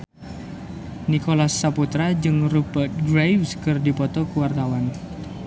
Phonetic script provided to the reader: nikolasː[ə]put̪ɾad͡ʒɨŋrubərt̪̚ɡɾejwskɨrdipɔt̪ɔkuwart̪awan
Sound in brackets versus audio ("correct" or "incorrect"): incorrect